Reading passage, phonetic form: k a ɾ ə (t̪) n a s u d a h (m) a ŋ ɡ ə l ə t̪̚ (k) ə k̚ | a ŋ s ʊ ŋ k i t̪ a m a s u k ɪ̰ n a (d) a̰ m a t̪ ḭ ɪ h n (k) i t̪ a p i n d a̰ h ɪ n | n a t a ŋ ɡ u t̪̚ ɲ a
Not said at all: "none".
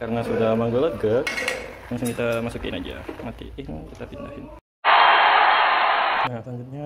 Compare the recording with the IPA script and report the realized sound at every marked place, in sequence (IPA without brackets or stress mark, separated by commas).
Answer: none, m, ɡ, d͡ʒ, k